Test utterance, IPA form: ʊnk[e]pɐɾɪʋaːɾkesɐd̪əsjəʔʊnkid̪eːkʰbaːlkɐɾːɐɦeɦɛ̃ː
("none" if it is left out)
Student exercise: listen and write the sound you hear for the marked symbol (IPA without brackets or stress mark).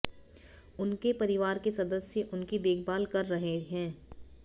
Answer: e